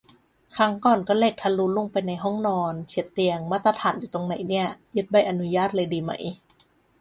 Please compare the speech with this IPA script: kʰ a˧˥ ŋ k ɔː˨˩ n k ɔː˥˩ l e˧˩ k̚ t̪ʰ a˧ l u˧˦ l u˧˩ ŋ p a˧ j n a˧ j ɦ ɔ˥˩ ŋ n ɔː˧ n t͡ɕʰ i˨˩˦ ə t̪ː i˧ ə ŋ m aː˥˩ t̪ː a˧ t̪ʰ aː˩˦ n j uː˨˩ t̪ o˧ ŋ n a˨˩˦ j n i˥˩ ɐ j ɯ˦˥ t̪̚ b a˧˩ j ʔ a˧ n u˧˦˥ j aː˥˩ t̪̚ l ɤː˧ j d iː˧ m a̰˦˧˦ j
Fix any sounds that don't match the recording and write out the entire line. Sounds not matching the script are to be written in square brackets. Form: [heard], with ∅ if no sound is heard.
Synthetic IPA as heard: kʰ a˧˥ ŋ k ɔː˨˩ n k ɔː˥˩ l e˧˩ k̚ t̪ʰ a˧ l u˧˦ l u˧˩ ŋ p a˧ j n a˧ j ɦ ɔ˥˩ ŋ n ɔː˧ n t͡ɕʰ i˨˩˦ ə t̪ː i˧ ə ŋ m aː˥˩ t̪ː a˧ t̪ʰ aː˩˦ n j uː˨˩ t̪ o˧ ŋ n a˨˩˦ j n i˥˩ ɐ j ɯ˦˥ t̪̚ b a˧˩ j ʔ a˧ n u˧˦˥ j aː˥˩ t̪̚ l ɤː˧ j d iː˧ m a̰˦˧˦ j

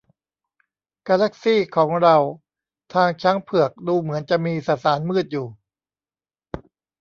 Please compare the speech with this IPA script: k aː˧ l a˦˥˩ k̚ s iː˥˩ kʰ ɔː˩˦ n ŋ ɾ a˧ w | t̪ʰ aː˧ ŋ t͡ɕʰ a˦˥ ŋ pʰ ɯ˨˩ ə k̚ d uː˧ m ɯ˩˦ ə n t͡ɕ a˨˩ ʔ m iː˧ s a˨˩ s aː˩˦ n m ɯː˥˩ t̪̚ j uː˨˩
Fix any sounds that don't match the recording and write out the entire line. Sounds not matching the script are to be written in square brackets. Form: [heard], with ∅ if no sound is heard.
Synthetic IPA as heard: k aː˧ l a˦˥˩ k̚ s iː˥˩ kʰ ɔː˩˦ [∅] ŋ ɾ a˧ w | t̪ʰ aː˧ ŋ t͡ɕʰ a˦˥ ŋ pʰ ɯ˨˩ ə k̚ d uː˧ m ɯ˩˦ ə n t͡ɕ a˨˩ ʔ m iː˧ s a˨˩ s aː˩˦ n m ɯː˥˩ t̪̚ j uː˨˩

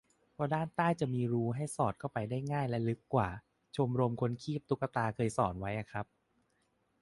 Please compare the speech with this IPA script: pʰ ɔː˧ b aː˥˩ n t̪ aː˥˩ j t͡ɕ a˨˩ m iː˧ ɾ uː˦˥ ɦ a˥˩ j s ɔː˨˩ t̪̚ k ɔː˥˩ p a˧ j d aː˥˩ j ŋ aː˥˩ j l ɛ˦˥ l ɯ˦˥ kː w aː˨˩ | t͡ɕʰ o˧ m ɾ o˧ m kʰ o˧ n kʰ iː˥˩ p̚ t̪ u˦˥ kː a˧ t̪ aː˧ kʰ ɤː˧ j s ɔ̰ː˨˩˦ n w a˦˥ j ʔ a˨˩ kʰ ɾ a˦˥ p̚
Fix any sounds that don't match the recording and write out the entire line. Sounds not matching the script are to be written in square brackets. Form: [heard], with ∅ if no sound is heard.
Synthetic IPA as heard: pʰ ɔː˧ [d] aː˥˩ n t̪ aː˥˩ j t͡ɕ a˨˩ m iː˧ ɾ uː˦˥ ɦ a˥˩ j s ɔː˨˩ t̪̚ k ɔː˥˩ p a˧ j d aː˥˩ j ŋ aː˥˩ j l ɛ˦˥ l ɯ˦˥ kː w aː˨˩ | t͡ɕʰ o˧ m ɾ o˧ m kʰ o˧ n kʰ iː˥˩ p̚ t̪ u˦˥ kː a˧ t̪ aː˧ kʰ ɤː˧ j s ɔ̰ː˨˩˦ n w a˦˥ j ʔ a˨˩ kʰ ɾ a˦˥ p̚

